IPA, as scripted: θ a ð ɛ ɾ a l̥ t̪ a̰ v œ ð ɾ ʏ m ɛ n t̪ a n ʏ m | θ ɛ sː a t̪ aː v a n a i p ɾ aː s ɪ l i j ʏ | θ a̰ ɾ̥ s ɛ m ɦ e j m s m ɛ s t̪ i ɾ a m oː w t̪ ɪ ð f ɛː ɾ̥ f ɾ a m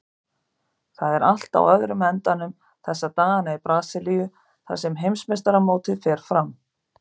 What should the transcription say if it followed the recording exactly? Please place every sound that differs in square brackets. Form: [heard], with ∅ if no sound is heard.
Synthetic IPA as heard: θ a ð ɛ ɾ a l̥ t̪ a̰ [w] œ ð ɾ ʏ m ɛ n t̪ a n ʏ m | θ ɛ sː a t̪ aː [ɣ] a n a i p ɾ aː s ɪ l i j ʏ | θ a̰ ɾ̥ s ɛ m ɦ e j m s m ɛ s t̪ [a] ɾ a m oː w t̪ ɪ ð f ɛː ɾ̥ f ɾ a m